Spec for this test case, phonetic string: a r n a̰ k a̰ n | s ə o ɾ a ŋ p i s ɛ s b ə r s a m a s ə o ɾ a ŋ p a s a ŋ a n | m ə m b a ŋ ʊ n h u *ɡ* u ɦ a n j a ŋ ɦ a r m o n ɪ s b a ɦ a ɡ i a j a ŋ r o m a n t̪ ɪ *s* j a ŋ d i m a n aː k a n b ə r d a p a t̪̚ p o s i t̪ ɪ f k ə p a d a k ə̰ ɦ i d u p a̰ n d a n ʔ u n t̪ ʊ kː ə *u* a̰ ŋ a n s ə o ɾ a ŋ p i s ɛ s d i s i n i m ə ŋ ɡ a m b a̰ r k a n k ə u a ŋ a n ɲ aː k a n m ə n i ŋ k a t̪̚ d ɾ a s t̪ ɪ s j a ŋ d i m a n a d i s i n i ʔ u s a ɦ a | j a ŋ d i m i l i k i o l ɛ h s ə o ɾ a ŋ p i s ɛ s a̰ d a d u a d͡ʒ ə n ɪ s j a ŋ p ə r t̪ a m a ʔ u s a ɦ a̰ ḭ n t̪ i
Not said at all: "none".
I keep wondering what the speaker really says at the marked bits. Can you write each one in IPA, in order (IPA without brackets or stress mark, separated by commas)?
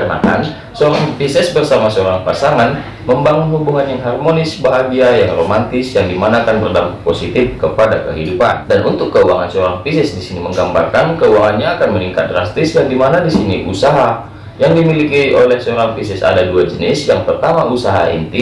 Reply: b, s, u